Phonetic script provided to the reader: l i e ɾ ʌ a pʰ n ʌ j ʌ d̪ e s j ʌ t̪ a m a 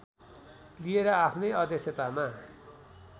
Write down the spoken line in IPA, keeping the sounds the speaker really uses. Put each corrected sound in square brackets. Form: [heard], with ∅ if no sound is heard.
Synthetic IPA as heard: l i e ɾ ʌ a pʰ n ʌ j ʌ d̪ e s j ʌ t̪ a m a